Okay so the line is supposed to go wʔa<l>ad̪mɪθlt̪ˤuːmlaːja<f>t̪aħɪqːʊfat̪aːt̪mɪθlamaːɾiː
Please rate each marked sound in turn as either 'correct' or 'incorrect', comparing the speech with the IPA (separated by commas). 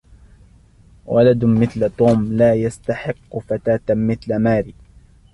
correct, incorrect